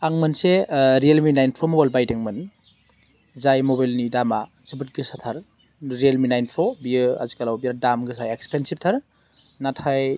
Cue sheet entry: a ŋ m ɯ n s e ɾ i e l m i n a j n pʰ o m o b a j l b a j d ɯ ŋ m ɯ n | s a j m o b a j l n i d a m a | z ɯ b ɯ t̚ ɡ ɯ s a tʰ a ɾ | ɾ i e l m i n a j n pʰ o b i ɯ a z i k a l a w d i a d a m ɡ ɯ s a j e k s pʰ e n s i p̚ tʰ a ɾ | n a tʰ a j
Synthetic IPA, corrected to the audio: a ŋ m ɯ n s e ɾ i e l m i n a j n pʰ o m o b a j l b a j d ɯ ŋ m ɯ n | z a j m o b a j l n i d a m a | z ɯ b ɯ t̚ ɡ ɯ s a tʰ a ɾ | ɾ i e l m i n a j n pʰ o b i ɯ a z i k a l a w b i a d a m ɡ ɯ s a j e k s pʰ e n s i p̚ tʰ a ɾ | n a tʰ a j

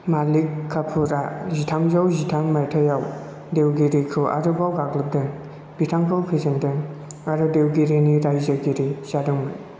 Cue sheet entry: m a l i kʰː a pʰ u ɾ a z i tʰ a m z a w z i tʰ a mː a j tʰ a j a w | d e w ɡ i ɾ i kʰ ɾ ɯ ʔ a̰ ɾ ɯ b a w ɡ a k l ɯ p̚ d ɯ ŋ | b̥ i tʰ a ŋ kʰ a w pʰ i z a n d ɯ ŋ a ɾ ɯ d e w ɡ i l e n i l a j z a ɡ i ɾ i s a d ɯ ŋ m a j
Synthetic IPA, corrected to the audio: m a l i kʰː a pʰ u ɾ a z i tʰ a m z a w z i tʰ a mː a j tʰ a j a w | d e w ɡ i ɾ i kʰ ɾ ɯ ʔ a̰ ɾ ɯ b a w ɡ a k l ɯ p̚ d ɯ ŋ | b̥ i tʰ a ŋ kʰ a w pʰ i z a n d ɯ ŋ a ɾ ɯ d e w ɡ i ɾ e n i ɾ a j z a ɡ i ɾ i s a d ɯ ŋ m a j

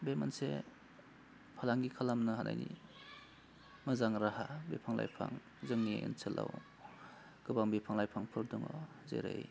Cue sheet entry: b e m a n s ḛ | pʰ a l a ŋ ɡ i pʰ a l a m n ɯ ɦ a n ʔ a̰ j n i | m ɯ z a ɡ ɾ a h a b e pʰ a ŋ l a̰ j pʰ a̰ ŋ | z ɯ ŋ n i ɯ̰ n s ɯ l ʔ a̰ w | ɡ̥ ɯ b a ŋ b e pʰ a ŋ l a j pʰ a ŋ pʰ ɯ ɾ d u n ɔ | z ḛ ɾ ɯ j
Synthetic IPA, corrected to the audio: b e m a n s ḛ | pʰ a l a ŋ ɡ i kʰ a l a m n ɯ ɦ a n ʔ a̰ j n i | m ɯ z a ŋ ɾ a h a b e pʰ a ŋ l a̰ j pʰ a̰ ŋ | z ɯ ŋ n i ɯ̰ n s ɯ l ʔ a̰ w | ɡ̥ ɯ b a ŋ b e pʰ a ŋ l a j pʰ a ŋ pʰ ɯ ɾ d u ŋ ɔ | z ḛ ɾ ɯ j

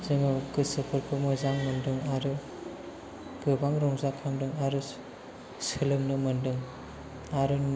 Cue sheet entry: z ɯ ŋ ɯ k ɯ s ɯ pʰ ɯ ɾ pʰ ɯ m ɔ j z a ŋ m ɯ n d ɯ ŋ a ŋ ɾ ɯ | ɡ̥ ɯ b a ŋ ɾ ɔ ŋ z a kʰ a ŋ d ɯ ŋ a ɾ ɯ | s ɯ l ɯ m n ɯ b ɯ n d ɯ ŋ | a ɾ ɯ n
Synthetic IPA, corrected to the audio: z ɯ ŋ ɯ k ɯ s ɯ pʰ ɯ ɾ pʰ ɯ m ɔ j z a ŋ m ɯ n d ɯ ŋ a ɾ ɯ | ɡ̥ ɯ b a ŋ ɾ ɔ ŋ z a kʰ a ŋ d ɯ ŋ a ɾ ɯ | s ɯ l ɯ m n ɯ m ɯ n d ɯ ŋ | a ɾ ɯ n

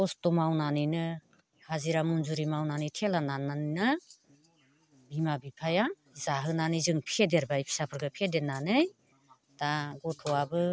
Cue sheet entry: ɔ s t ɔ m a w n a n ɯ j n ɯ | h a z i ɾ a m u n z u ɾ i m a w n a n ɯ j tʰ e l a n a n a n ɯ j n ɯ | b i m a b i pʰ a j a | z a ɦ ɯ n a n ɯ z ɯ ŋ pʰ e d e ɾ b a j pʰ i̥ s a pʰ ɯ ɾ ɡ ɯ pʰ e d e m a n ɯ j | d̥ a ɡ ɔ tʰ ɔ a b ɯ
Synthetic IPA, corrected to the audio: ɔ s t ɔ m a w n a n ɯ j n ɯ | h a z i ɾ a m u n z u ɾ i m a w n a n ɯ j tʰ e l a n a n a n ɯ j n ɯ | b i m a b i pʰ a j a | z a ɦ ɯ n a n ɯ z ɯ ŋ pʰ e d e ɾ b a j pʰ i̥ s a pʰ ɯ ɾ ɡ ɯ pʰ e d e n a n ɯ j | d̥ a ɡ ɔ tʰ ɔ a b ɯ

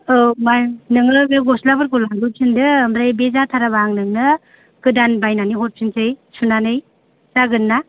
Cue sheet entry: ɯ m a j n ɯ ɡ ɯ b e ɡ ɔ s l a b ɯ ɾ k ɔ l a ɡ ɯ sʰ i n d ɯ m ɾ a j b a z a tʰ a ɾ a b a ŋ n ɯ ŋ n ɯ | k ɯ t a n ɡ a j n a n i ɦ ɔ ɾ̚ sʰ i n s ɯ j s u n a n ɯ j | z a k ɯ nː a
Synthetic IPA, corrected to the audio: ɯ m a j n ɯ ŋ ɯ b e ɡ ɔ s l a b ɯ ɾ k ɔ l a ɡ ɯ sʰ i n d ɯ m ɾ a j b e z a tʰ a ɾ a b a ŋ n ɯ ŋ n ɯ | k ɯ d a n b a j n a n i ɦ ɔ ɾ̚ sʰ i n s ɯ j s u n a n ɯ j | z a ɡ ɯ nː a

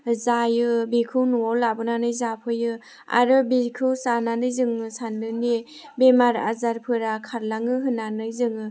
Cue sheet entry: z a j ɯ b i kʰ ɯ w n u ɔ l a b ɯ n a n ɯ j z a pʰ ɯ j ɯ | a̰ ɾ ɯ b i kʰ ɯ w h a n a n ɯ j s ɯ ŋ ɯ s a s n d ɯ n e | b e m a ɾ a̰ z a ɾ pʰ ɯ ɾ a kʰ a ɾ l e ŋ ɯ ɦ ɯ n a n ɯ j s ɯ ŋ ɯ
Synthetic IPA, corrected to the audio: z a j ɯ b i kʰ ɯ w n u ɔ l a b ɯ n a n ɯ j z a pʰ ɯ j ɯ | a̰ ɾ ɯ b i kʰ ɯ w s a n a n ɯ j z ɯ ŋ ɯ s a n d ɯ n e | b e m a ɾ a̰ z a ɾ pʰ ɯ ɾ a kʰ a ɾ l a ŋ ɯ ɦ ɯ n a n ɯ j z ɯ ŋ ɯ

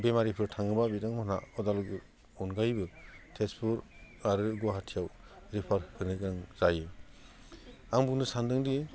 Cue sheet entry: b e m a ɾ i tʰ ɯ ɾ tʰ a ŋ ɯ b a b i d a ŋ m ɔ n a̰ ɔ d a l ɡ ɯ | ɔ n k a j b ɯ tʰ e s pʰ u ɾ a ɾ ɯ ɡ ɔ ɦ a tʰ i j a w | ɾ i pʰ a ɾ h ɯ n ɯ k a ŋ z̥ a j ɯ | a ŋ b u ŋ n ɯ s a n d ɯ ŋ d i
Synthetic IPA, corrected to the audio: b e m a ɾ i pʰ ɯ ɾ tʰ a ŋ ɯ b a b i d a ŋ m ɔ n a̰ ɔ d a l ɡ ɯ | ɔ n ɡ a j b ɯ tʰ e s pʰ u ɾ a ɾ ɯ ɡ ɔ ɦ a tʰ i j a w | ɾ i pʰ a ɾ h ɯ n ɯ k a ŋ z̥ a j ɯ | a ŋ b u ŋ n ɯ s a n d ɯ ŋ d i

